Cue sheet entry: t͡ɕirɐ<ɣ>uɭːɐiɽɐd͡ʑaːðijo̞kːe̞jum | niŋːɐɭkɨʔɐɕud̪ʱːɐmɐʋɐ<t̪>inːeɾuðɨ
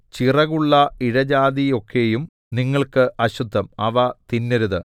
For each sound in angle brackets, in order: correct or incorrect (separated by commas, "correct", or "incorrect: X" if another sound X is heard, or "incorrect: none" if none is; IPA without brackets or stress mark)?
correct, correct